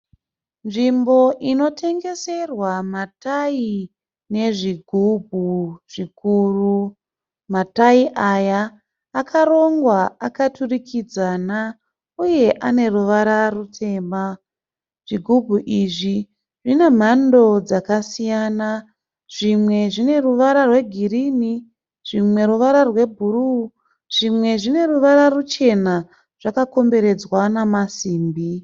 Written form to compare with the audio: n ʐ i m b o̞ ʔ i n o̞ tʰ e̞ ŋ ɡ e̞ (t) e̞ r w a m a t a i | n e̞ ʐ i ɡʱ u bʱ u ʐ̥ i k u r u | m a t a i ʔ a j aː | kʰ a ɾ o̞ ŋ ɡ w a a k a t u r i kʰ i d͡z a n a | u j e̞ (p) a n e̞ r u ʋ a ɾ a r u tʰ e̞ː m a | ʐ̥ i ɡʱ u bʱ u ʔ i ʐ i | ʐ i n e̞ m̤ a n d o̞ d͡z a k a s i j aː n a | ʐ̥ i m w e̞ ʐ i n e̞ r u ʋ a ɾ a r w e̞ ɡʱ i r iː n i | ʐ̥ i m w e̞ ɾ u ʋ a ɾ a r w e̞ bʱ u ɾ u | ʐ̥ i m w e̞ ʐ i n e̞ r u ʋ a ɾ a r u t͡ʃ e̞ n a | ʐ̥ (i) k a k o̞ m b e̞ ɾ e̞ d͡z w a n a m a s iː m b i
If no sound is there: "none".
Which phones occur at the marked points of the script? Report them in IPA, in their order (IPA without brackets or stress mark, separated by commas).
s, ʔ, a